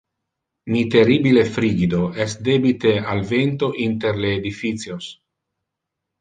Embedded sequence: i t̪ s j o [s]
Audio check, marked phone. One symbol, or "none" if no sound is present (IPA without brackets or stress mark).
s